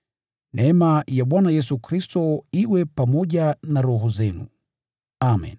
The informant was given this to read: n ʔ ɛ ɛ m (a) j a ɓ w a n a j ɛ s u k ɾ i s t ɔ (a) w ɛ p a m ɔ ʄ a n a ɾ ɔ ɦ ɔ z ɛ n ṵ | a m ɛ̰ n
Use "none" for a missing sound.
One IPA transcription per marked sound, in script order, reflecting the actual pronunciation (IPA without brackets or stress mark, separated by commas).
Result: a, i